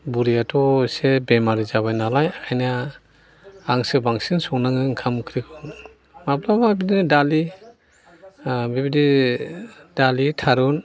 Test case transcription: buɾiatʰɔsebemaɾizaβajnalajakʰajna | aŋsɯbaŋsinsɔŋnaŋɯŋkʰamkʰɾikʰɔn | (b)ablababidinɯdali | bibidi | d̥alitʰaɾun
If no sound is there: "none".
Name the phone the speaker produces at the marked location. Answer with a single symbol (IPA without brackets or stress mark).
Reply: m